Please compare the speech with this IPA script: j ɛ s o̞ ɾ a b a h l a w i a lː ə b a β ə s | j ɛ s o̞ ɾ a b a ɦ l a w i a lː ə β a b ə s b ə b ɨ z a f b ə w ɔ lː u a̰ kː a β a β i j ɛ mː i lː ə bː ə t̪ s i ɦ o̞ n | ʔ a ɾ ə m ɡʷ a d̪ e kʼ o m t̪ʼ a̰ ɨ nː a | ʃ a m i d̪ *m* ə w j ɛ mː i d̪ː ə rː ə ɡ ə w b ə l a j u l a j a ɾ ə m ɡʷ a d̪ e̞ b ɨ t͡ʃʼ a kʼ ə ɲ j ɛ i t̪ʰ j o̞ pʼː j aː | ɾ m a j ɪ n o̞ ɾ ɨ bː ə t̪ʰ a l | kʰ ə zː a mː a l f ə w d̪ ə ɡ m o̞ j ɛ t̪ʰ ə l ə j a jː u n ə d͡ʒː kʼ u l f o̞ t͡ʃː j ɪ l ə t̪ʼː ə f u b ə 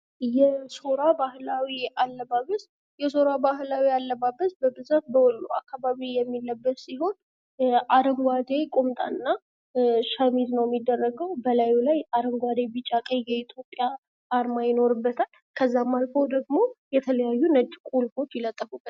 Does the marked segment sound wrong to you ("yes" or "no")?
yes